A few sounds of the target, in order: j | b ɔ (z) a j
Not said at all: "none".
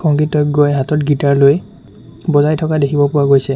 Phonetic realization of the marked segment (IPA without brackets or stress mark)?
z